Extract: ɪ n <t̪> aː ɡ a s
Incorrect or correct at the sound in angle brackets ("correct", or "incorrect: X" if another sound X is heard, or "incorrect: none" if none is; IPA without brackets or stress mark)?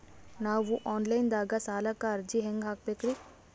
incorrect: d̪